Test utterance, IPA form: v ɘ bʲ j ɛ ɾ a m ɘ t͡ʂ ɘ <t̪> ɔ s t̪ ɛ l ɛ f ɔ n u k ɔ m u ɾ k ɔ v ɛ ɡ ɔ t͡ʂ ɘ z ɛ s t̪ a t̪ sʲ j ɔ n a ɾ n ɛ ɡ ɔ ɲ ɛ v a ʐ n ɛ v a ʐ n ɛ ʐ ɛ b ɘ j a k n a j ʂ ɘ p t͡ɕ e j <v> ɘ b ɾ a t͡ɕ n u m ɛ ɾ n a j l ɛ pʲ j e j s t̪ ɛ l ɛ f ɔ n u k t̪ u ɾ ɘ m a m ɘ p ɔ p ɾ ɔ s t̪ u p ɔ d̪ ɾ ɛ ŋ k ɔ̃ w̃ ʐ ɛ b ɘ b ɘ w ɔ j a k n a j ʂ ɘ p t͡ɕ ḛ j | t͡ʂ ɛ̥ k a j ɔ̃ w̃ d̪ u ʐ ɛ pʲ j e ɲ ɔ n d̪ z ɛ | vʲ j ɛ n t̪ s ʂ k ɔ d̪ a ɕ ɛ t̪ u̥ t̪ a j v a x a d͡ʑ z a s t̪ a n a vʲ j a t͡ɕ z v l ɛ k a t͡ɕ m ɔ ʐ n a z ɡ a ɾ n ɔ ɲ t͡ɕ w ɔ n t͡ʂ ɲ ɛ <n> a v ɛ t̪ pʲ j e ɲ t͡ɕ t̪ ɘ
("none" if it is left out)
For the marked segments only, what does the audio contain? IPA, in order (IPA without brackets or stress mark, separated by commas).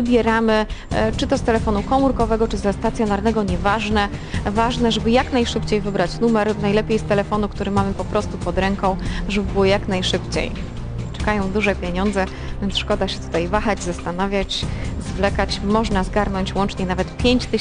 t̪, v, n